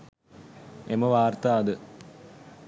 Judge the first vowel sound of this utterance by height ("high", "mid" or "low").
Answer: mid